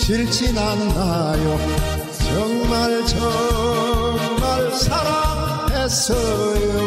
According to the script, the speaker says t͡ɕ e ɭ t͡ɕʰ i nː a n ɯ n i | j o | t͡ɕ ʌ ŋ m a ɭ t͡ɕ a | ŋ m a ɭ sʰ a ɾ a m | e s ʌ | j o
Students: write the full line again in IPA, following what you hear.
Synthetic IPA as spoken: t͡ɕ i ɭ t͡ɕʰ i n a n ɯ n a | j o | t͡ɕ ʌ ŋ m a ɭ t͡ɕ ʌ | ŋ m a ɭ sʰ a ɾ a m | e s ʌ | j o